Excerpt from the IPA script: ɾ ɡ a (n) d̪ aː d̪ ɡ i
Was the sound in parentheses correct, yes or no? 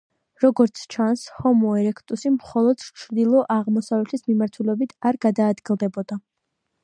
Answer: no